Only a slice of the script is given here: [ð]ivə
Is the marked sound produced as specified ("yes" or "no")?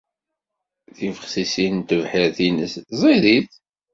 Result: no